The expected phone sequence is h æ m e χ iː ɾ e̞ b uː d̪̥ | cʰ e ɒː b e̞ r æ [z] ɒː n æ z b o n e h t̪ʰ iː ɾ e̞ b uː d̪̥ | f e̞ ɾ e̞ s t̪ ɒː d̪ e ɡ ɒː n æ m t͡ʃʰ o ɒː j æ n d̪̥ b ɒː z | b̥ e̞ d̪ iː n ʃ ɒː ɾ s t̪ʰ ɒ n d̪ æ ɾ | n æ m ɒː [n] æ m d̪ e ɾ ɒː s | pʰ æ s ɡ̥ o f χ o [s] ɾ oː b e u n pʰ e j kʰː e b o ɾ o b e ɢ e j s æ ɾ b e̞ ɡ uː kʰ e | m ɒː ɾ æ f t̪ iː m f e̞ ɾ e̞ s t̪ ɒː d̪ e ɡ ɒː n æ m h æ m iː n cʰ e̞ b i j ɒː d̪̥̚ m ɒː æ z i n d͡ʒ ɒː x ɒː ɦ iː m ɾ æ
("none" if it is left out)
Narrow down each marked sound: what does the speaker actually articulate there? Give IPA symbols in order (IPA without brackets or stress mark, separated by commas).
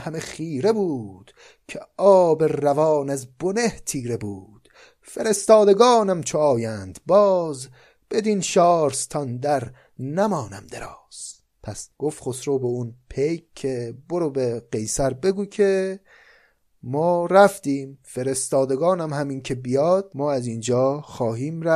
v, n, s